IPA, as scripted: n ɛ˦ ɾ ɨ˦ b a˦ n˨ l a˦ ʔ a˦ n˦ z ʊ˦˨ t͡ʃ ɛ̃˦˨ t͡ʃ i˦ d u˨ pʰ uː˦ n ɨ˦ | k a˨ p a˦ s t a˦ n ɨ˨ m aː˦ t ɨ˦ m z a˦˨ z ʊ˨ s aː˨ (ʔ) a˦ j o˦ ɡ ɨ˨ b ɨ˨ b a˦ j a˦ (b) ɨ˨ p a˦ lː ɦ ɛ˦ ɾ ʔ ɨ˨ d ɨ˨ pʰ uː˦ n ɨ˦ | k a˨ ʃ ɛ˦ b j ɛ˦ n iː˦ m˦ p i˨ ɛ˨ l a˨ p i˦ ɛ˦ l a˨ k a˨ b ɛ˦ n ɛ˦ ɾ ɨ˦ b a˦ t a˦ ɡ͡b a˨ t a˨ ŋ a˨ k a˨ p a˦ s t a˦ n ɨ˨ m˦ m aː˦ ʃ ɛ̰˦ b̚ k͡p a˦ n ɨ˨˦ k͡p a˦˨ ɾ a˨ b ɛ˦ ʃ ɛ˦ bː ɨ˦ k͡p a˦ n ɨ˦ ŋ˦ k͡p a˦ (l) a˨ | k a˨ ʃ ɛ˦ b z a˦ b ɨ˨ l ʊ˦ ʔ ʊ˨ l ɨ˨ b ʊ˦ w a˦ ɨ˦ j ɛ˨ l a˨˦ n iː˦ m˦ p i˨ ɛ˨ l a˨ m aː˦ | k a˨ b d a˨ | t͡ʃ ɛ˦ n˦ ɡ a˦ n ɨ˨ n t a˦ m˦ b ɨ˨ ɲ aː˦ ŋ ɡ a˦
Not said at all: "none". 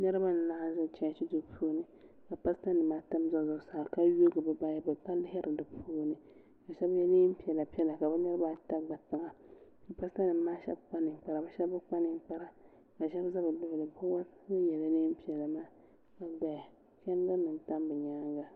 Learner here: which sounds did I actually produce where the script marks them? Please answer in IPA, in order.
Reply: k, b, ɾ

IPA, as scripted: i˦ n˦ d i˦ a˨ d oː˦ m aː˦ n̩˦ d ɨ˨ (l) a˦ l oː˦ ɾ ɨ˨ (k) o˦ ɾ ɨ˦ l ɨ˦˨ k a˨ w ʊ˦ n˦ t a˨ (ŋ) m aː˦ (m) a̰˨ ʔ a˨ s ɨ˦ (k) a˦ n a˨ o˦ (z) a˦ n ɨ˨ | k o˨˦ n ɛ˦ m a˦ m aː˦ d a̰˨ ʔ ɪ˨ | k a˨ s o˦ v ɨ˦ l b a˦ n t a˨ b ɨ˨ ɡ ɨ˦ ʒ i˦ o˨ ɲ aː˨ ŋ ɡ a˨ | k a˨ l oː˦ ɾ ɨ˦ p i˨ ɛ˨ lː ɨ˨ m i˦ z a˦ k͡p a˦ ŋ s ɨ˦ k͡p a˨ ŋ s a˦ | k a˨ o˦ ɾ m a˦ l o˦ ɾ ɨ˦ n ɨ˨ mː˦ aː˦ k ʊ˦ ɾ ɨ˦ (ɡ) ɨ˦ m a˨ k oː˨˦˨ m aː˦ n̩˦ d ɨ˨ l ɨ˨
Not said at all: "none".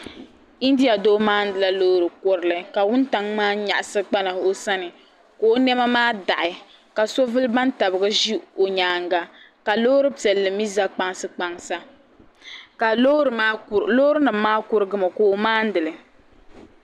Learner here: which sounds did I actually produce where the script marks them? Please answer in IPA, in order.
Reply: l, k, ŋ, ɲ, k͡p, s, ɡ

